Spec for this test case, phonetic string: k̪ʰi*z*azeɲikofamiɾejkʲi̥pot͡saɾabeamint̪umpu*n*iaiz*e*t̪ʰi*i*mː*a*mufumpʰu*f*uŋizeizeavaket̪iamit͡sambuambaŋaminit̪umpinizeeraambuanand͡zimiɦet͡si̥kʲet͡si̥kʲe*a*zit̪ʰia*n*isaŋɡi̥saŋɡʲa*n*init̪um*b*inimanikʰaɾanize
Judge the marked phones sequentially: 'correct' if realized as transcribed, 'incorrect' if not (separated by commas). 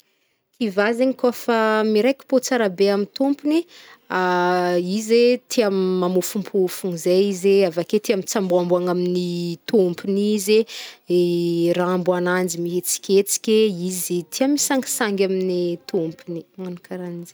incorrect, correct, correct, incorrect, correct, correct, incorrect, incorrect, incorrect, incorrect